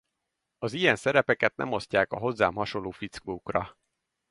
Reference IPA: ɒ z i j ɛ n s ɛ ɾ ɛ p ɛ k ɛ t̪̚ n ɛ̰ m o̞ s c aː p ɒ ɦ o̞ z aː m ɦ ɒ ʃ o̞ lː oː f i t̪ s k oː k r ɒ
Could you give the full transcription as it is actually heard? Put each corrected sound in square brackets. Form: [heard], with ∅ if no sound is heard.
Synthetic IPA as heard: ɒ z i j ɛ n s ɛ ɾ ɛ p ɛ k ɛ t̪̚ n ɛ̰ m o̞ s c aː [k] ɒ ɦ o̞ [zː] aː m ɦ ɒ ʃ o̞ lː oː f i t̪ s k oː k r ɒ

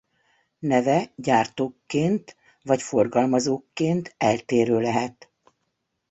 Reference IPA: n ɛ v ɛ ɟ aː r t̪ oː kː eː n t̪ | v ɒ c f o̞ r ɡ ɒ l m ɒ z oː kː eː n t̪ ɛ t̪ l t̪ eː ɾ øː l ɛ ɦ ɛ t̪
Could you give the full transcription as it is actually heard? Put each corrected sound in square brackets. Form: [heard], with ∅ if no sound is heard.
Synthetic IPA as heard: n ɛ v ɛ ɟ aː r t̪ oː kː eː n t̪ | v ɒ c f o̞ r ɡ ɒ l m ɒ z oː kː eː n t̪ ɛ [∅] l t̪ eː ɾ øː l ɛ ɦ ɛ t̪

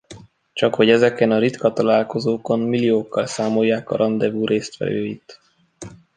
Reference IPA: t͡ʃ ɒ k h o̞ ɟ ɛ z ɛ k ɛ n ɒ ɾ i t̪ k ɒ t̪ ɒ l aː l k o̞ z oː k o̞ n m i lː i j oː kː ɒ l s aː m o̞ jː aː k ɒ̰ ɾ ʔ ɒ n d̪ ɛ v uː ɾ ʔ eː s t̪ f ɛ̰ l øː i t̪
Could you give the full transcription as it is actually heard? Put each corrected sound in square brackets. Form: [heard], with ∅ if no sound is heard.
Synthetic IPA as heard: t͡ʃ ɒ k h o̞ ɟ ɛ z ɛ k ɛ n ɒ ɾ i t̪ k ɒ t̪ ɒ l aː l k o̞ z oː k o̞ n m i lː i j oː kː ɒ l s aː m o̞ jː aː k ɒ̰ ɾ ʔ ɒ n d̪ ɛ v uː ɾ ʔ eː s t̪ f ɛ̰ l øː i t̪

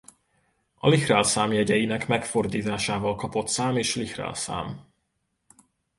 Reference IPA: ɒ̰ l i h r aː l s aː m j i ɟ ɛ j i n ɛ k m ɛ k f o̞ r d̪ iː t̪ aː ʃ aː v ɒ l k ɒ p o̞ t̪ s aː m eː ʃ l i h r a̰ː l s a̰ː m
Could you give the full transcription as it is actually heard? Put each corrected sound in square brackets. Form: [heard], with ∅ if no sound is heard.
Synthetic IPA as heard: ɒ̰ l i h r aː l s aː m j [ɛ] ɟ ɛ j i n ɛ k m ɛ k f o̞ r d̪ iː t̪ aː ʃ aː v ɒ l k ɒ p o̞ t̪ s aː m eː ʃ l i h r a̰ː l s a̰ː m

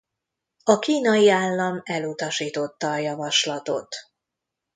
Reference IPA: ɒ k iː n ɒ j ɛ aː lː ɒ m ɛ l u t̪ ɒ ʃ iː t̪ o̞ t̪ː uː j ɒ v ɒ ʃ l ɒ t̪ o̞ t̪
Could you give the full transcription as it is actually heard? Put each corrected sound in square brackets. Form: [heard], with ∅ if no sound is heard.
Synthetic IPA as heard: ɒ k iː n ɒ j [i] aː lː ɒ m ɛ l u t̪ ɒ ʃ iː t̪ o̞ t̪ː [ɒː] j ɒ v ɒ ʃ l ɒ t̪ o̞ t̪

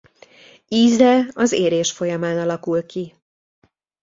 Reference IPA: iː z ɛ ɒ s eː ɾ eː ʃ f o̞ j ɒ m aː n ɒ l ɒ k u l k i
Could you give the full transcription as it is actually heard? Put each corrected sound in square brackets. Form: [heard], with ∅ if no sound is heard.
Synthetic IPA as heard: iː z ɛ ɒ [z] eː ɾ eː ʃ f o̞ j ɒ m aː n ɒ l ɒ k u l k i

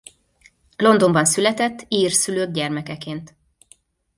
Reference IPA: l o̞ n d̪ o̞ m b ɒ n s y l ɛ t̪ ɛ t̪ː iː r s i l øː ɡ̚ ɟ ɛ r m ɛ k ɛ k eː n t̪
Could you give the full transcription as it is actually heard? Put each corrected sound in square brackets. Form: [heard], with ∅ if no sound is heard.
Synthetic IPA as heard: l o̞ n d̪ o̞ m b ɒ n s y l ɛ t̪ ɛ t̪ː iː r s [y] l øː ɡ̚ ɟ ɛ r m ɛ k ɛ k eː n t̪

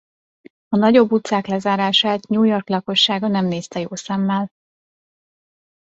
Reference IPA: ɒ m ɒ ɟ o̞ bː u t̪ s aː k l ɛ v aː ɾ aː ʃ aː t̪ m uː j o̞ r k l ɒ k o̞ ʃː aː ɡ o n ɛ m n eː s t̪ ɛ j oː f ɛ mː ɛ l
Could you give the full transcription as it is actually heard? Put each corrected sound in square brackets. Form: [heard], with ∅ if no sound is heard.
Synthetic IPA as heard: ɒ [n] ɒ ɟ o̞ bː u t̪ s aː k l ɛ [z] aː ɾ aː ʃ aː t̪ [ɲ] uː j o̞ r k l ɒ k o̞ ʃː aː ɡ [ɒ] n ɛ m n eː s t̪ ɛ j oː [s] ɛ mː ɛ l

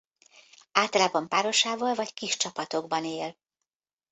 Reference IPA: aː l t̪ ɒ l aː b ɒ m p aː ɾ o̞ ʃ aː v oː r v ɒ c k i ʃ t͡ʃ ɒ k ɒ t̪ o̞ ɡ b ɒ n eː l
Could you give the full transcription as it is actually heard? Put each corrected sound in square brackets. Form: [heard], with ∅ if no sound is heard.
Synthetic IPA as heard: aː l t̪ ɒ l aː b ɒ m p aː ɾ o̞ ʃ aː v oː [l] v ɒ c k i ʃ t͡ʃ ɒ [p] ɒ t̪ o̞ ɡ b ɒ n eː l

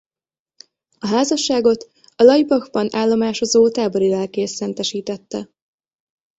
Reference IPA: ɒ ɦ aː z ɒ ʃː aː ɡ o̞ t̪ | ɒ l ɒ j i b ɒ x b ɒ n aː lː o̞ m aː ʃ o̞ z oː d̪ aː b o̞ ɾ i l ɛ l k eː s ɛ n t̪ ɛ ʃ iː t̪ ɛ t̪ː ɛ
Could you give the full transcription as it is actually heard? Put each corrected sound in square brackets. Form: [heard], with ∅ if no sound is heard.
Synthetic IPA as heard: ɒ ɦ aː z ɒ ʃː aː ɡ o̞ t̪ | ɒ l ɒ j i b ɒ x b ɒ n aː lː o̞ m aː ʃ o̞ z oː [t̪] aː b o̞ ɾ i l ɛ l k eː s ɛ n t̪ ɛ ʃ iː t̪ ɛ t̪ː ɛ

